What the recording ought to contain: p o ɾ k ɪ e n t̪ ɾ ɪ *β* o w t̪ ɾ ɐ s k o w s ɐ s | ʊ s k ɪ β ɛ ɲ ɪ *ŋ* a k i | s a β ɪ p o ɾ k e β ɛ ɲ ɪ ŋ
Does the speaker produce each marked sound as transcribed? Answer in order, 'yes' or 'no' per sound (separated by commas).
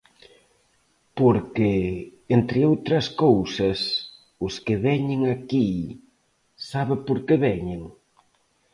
no, yes